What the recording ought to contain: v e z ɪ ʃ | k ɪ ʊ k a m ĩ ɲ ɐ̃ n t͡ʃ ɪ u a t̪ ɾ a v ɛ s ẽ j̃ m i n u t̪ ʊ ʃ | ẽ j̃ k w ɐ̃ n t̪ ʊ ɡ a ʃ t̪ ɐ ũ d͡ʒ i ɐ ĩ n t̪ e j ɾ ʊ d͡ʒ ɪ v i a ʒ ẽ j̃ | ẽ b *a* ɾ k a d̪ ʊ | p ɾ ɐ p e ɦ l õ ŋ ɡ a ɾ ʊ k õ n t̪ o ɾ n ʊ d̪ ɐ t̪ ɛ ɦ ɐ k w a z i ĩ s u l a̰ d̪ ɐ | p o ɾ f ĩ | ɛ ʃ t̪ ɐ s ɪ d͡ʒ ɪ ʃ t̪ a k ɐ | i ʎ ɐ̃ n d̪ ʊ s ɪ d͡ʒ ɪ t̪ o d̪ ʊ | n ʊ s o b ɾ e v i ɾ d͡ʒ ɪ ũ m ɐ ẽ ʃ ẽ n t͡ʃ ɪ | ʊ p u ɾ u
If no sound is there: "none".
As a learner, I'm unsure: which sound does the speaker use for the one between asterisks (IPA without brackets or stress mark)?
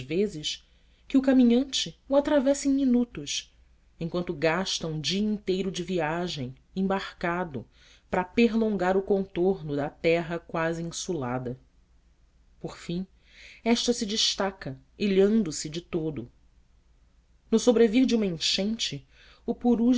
a